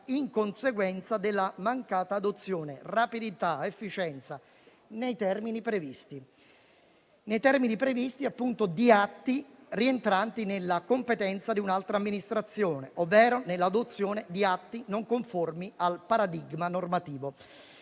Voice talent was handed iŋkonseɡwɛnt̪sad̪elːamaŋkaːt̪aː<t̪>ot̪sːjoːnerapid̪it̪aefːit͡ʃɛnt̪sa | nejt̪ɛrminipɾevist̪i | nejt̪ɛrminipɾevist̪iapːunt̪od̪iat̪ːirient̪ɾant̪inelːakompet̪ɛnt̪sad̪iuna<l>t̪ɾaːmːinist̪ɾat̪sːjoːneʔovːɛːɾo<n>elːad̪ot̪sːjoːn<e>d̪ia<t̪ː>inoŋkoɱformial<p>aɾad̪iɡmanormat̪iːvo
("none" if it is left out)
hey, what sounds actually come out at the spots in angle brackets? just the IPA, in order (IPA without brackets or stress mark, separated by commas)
d̪, l, n, e, t̪ː, p